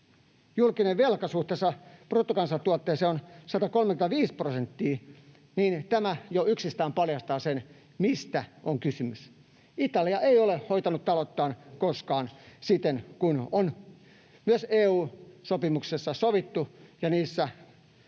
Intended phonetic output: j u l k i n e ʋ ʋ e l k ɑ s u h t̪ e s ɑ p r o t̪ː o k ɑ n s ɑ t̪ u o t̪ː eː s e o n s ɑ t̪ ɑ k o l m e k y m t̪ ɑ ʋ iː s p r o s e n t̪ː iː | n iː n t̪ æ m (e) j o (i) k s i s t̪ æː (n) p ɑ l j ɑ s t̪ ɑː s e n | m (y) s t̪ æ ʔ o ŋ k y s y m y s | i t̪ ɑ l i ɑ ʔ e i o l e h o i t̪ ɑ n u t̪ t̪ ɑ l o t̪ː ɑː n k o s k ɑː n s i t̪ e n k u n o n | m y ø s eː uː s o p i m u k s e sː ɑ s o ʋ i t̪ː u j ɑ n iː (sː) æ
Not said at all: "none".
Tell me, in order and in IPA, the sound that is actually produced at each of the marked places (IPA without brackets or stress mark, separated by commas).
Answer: æ, y, m, i, sː